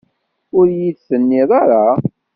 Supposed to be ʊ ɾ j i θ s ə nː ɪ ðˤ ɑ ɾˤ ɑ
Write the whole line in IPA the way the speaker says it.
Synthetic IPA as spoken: ʊ ɾ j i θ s ə nː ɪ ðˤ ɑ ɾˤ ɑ